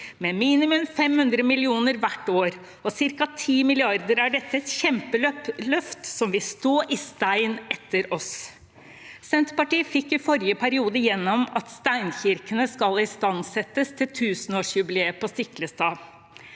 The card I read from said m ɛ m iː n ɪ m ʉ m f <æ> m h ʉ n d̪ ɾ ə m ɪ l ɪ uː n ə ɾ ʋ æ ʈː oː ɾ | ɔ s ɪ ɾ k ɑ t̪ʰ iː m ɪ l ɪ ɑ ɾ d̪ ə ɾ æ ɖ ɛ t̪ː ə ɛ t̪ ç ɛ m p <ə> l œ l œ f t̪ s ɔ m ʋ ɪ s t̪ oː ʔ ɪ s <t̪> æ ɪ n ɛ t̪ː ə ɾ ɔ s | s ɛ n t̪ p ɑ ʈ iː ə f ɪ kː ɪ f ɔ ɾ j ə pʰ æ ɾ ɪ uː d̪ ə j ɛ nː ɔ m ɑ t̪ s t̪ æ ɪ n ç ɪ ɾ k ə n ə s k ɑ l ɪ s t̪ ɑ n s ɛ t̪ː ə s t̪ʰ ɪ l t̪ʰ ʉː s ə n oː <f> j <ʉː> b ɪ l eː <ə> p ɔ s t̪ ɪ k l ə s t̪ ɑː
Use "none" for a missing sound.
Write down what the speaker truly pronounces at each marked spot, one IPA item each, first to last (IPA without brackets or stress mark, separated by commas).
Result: ɛ, ə, t̪, ʂ, ʉ, ə